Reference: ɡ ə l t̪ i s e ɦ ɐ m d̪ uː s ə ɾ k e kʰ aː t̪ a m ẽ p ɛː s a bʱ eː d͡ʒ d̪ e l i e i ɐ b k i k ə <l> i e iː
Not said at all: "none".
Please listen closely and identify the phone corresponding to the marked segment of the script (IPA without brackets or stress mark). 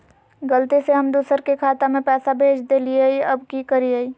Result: ɾ